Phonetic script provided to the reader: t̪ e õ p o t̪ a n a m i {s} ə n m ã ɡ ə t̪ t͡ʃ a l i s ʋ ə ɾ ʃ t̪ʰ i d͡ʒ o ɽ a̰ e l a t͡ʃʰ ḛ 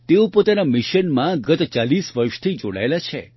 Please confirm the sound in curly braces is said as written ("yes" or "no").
no